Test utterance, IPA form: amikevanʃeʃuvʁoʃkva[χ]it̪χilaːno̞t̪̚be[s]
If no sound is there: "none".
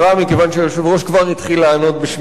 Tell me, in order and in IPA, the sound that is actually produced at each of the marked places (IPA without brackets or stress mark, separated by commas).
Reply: ʁ, ʃ